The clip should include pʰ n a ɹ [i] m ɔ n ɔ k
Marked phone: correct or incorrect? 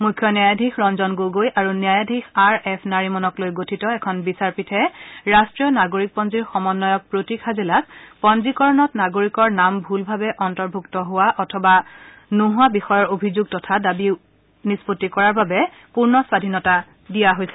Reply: correct